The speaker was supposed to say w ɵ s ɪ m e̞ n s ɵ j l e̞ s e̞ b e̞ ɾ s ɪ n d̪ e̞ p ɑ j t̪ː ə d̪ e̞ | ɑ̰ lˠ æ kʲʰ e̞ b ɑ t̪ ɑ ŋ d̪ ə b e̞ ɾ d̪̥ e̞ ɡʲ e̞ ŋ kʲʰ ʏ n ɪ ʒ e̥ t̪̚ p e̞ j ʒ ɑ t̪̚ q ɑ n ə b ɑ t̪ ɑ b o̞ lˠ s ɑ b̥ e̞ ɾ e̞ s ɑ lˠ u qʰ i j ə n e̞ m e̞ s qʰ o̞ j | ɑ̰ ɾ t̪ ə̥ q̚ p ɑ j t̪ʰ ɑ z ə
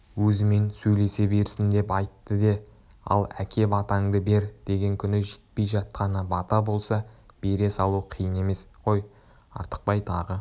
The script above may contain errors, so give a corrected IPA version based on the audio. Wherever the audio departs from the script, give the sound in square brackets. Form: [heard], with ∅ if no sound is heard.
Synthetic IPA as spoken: w ɵ [z] ɪ m e̞ n s ɵ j l e̞ s e̞ b e̞ ɾ s ɪ n d̪ e̞ p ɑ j t̪ː ə d̪ e̞ | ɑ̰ lˠ æ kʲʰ e̞ b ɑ t̪ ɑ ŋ d̪ ə b e̞ ɾ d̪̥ e̞ ɡʲ e̞ ŋ kʲʰ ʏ n ɪ ʒ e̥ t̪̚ p e̞ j ʒ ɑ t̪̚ q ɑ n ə b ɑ t̪ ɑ b o̞ lˠ s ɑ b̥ e̞ ɾ e̞ s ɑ lˠ u qʰ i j ə n e̞ m e̞ s qʰ o̞ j | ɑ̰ ɾ t̪ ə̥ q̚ p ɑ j t̪ʰ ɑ [ʁ] ə